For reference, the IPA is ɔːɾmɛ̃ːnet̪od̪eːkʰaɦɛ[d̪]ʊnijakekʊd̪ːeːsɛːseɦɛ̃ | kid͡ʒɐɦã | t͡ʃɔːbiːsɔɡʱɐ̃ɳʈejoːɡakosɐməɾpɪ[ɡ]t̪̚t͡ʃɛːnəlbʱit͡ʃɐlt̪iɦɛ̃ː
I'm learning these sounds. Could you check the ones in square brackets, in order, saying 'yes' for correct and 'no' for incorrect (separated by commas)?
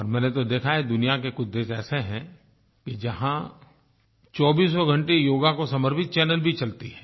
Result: yes, no